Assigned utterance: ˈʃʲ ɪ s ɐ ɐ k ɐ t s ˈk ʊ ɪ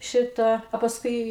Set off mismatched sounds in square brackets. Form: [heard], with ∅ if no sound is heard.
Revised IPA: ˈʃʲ ɪ [t] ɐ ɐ [p] ɐ [∅] s ˈk ʊ ɪ